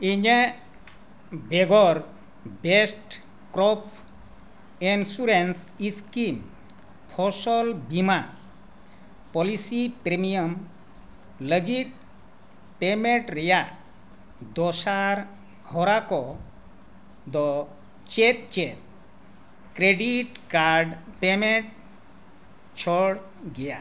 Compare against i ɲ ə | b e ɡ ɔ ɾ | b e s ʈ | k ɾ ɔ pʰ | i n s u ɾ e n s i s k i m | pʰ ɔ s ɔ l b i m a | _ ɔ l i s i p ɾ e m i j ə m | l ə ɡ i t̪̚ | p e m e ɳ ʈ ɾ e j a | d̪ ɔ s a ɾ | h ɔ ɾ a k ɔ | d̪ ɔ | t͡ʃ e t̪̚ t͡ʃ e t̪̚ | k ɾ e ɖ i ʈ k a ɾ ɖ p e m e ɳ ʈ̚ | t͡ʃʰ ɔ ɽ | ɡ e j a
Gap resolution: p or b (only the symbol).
p